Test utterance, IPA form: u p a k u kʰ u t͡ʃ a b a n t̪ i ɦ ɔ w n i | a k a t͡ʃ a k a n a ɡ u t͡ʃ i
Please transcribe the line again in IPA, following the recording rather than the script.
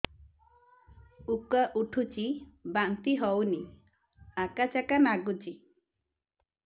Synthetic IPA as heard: u k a ʔ u ʈʰ u t͡ʃ i b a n t̪ i ɦ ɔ w n i | a k a t͡ʃ a k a n a ɡ u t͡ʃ i